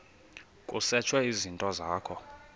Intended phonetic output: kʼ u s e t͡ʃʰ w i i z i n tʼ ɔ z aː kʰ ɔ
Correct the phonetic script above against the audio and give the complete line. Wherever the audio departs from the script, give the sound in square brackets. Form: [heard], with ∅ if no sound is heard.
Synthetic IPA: kʼ u s [ɛ] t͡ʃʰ w [ɛ] i z i n tʼ ɔ z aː kʰ ɔ